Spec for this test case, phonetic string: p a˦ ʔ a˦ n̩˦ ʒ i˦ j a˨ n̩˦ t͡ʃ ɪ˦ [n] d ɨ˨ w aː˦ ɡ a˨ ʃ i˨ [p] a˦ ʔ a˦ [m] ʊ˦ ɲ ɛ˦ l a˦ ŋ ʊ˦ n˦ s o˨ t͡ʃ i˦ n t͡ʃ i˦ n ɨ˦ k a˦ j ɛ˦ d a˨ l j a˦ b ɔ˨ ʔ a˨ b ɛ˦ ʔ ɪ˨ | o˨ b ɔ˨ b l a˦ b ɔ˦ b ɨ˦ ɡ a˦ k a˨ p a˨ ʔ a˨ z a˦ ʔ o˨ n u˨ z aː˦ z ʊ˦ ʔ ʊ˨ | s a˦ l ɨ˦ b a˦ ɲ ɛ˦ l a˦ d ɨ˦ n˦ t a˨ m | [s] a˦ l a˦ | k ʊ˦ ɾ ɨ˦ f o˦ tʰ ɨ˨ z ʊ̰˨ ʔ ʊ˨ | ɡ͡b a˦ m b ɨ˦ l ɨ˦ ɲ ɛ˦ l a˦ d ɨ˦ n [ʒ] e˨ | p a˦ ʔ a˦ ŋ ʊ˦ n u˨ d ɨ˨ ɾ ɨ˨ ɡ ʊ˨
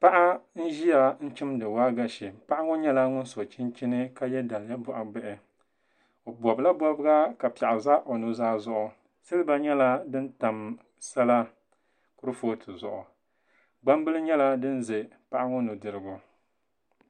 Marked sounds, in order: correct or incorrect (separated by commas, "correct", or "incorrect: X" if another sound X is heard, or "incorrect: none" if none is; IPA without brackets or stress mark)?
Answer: incorrect: m, correct, incorrect: ŋ, correct, incorrect: z